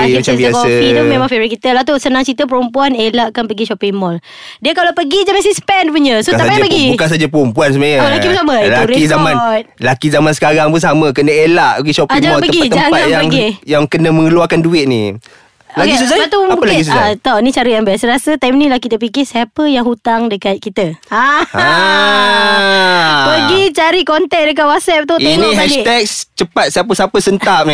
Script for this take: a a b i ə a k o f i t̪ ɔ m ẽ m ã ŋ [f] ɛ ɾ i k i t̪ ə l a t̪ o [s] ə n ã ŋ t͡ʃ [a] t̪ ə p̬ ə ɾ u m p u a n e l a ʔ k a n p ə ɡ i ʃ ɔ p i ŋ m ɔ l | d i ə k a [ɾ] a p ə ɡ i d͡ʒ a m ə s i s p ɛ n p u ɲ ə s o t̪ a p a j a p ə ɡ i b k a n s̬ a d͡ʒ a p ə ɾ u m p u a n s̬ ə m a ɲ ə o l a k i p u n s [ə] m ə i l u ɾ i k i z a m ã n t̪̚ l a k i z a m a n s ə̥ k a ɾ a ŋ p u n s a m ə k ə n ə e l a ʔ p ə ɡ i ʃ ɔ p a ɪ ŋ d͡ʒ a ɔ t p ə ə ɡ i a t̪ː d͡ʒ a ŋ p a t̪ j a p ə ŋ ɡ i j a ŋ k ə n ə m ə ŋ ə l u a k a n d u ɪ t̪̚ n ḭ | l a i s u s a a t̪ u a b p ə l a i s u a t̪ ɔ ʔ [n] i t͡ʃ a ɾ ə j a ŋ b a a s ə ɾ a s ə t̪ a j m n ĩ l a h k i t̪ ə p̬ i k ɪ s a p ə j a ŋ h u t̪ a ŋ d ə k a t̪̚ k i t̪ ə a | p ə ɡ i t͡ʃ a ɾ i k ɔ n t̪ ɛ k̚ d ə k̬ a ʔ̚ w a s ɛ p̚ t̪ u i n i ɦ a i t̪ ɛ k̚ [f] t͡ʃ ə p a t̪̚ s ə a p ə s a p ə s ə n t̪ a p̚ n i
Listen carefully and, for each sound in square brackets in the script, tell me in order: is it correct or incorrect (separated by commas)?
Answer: correct, correct, incorrect, incorrect, incorrect, correct, incorrect